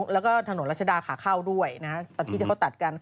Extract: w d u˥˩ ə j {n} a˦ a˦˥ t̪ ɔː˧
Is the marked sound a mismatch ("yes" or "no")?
no